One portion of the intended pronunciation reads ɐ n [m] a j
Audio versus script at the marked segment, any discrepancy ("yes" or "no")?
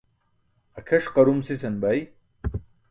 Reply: yes